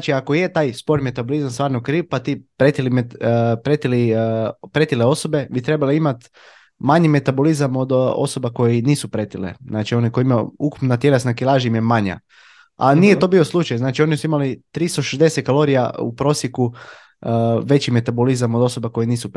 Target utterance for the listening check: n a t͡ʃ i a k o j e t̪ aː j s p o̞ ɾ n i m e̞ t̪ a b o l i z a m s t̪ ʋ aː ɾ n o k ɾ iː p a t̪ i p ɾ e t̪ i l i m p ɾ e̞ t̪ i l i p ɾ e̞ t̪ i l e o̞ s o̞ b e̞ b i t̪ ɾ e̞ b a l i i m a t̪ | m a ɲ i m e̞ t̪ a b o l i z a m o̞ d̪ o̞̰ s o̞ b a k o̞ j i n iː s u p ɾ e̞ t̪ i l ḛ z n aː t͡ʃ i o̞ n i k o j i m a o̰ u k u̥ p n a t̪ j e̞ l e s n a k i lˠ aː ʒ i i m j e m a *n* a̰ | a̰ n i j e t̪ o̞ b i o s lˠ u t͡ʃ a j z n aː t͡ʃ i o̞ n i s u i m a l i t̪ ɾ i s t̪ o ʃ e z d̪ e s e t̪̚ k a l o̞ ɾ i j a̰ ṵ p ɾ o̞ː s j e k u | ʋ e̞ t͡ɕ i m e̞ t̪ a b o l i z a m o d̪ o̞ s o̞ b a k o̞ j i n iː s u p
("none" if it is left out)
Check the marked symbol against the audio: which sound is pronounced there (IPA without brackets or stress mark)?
ɲ